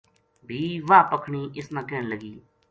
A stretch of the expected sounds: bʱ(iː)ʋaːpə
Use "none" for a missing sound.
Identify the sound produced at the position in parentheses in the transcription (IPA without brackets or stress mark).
iː